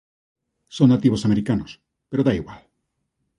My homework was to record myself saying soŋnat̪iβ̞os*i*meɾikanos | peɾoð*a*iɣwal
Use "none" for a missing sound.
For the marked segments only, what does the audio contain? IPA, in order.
a, a

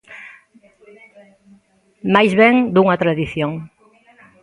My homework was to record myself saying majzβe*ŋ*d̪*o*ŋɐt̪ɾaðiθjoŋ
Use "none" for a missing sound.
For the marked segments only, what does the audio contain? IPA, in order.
ŋ, u

